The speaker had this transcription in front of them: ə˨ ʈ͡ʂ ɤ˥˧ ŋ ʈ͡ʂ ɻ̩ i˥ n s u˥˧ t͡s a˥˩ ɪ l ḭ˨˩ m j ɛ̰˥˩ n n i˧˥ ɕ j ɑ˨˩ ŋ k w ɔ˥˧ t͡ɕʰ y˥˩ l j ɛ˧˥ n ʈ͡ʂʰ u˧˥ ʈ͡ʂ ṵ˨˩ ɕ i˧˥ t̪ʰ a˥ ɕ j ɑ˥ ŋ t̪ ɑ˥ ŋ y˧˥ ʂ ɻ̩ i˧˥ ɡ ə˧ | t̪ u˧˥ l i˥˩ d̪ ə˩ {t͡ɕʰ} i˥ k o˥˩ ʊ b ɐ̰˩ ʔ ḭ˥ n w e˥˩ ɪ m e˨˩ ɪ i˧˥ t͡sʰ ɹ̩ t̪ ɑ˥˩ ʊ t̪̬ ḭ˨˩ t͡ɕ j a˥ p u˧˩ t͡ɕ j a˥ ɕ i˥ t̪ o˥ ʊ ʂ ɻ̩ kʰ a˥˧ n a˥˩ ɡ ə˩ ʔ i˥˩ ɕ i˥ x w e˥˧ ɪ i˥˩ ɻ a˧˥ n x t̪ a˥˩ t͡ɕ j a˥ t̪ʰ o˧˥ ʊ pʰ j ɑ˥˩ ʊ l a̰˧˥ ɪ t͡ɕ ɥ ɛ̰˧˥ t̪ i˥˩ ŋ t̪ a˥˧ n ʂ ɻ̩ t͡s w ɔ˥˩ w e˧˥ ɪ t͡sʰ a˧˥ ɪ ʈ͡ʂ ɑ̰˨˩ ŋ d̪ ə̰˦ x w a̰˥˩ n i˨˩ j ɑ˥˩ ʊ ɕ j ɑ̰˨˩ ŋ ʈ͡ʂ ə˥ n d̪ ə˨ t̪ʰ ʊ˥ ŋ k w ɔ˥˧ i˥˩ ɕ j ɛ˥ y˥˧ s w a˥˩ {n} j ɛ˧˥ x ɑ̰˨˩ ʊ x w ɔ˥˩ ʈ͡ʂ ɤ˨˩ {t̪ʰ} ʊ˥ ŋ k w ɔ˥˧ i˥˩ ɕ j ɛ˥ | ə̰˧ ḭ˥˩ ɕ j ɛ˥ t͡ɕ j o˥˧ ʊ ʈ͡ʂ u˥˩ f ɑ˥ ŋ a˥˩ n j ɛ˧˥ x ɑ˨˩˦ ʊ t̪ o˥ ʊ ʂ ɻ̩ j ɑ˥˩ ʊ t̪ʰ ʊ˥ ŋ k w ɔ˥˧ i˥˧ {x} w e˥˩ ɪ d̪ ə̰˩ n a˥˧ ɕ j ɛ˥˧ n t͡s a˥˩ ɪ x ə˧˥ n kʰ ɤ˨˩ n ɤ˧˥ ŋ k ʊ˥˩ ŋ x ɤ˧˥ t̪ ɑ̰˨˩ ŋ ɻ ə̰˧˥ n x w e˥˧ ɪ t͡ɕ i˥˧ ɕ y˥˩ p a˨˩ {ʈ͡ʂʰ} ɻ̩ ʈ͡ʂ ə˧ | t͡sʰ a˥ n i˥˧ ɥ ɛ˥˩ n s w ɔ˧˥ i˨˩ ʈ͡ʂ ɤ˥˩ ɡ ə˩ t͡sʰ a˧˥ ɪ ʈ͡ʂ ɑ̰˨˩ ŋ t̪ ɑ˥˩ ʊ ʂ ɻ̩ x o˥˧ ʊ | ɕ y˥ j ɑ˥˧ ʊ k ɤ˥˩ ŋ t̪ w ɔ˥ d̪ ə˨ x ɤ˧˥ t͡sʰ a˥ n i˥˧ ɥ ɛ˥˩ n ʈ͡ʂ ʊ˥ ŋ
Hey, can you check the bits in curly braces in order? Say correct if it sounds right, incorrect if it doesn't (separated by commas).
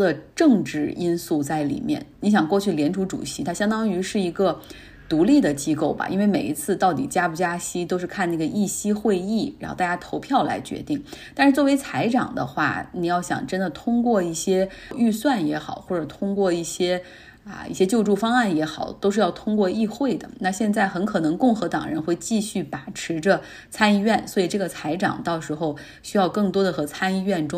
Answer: incorrect, correct, correct, correct, correct